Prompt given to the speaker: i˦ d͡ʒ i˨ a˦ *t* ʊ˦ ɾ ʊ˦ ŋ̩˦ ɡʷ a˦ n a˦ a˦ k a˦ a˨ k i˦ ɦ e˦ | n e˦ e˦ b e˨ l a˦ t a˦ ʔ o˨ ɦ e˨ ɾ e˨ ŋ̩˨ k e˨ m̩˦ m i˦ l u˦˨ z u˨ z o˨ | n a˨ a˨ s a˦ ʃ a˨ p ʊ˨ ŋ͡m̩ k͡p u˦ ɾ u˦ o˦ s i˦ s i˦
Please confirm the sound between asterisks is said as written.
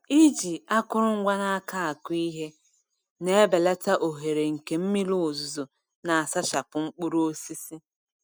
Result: no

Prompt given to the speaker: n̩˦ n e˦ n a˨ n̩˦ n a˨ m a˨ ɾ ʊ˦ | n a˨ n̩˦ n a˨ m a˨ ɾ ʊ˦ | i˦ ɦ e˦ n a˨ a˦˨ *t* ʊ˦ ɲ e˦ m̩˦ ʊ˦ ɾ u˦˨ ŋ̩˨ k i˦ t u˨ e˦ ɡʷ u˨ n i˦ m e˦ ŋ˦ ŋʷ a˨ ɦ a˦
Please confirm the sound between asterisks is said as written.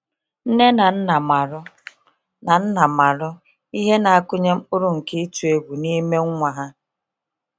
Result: no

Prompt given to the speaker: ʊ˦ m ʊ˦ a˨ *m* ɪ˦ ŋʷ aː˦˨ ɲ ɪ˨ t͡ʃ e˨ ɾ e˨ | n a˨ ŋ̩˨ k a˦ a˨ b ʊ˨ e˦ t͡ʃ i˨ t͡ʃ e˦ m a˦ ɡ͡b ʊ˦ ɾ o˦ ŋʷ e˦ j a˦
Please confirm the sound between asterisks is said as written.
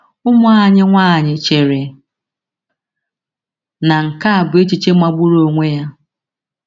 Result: no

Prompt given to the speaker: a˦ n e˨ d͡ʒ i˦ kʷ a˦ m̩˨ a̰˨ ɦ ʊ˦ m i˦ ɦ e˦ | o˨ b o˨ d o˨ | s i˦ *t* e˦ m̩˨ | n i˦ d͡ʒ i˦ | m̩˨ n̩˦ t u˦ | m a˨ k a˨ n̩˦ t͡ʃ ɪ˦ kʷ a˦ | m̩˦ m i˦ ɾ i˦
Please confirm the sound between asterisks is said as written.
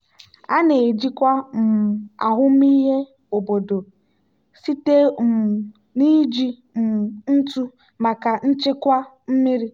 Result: yes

